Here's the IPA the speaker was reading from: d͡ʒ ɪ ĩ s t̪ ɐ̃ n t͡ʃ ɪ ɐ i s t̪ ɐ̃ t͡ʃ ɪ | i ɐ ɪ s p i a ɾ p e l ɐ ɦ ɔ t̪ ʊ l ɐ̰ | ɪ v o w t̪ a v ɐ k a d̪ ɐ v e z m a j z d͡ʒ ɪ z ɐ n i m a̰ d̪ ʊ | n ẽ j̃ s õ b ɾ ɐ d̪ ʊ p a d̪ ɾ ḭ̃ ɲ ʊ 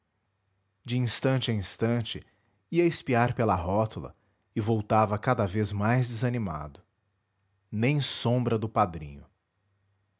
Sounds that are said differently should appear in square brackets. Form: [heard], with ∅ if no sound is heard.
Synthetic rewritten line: d͡ʒ ɪ ĩ s t̪ ɐ̃ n t͡ʃ ɪ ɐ [ĩ] s t̪ ɐ̃ t͡ʃ ɪ | i ɐ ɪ s p i a ɾ p e l ɐ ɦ ɔ t̪ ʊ l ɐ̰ | ɪ v o w t̪ a v ɐ k a d̪ ɐ v e z m a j z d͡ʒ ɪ z ɐ n i m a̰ d̪ ʊ | n ẽ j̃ s õ b ɾ ɐ d̪ ʊ p a d̪ ɾ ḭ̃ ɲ ʊ

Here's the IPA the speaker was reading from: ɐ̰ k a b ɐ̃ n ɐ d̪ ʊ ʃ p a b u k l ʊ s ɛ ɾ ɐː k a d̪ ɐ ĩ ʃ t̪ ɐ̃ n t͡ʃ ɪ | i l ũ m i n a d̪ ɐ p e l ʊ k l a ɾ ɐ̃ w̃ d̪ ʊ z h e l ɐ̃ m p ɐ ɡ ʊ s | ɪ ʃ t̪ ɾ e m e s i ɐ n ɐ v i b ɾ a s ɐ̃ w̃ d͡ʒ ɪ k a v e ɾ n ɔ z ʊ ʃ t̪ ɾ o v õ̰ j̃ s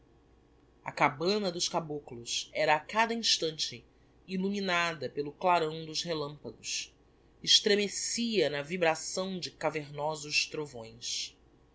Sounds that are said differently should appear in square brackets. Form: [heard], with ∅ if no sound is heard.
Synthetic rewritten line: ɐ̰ k a b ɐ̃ n ɐ d̪ ʊ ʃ [k] a b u k l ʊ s ɛ ɾ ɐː k a d̪ ɐ ĩ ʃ t̪ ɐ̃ n t͡ʃ ɪ | i l [u] m i n a d̪ ɐ p e l ʊ k l a ɾ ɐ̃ w̃ d̪ ʊ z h e l ɐ̃ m p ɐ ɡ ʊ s | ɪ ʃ t̪ ɾ e m e s i ɐ n ɐ v i b ɾ a s ɐ̃ w̃ d͡ʒ ɪ k a v e ɾ n ɔ z ʊ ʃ t̪ ɾ o v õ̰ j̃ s

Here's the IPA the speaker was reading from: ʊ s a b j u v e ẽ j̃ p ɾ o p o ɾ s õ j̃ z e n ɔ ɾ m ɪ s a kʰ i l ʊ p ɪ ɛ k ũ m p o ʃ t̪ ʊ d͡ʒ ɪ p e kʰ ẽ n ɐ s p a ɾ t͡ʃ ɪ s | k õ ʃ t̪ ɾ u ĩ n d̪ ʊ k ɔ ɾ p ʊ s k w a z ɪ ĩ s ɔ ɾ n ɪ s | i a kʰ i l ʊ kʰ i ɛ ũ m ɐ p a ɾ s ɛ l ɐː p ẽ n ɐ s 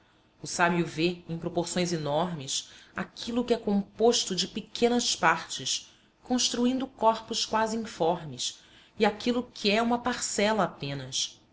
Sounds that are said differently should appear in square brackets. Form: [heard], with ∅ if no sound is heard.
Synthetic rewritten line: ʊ s a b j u v e ẽ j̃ p ɾ o p o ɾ s õ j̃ z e n ɔ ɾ m ɪ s a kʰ i l ʊ [k] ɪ ɛ k [õ] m p o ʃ t̪ ʊ d͡ʒ ɪ p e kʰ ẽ n ɐ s p a ɾ t͡ʃ ɪ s | k õ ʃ t̪ ɾ u ĩ n d̪ ʊ k ɔ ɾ p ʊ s k w a z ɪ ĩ [f] ɔ ɾ [m] ɪ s | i a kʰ i l ʊ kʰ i ɛ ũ m ɐ p a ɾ s ɛ l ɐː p ẽ n ɐ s

